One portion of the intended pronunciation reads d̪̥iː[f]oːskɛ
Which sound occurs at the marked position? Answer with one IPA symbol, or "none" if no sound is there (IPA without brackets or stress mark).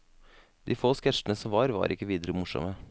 f